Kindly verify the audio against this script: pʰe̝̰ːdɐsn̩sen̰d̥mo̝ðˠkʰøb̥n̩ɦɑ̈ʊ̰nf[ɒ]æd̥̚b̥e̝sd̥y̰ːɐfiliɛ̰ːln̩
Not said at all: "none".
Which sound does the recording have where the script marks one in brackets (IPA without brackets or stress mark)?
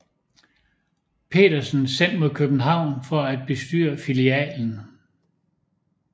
ɒ